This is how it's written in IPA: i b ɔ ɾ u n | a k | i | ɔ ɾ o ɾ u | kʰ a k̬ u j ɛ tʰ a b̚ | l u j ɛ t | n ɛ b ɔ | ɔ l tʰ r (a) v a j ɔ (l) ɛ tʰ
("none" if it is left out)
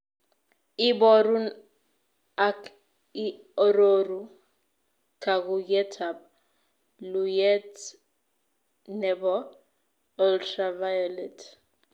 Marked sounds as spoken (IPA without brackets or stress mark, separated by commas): a, l